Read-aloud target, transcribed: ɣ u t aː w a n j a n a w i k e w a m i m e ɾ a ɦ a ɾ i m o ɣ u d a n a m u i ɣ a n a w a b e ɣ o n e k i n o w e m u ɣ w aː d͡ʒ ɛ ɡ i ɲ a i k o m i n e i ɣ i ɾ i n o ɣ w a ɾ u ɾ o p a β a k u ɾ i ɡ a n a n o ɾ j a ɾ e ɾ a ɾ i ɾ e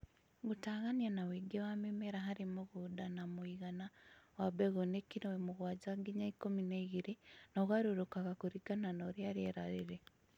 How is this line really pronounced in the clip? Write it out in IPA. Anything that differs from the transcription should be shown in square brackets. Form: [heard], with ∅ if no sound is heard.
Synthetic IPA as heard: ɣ u t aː [ɣ] a n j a n a w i [ɡ] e w a m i m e ɾ a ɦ a ɾ i m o ɣ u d a n a m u i ɣ a n a w a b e ɣ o n e k i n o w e m u ɣ w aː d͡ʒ [a] ɡ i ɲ a i k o m i n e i ɣ i ɾ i n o ɣ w a ɾ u ɾ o [k] a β a k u ɾ i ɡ a n a n o ɾ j a ɾ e ɾ a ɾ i ɾ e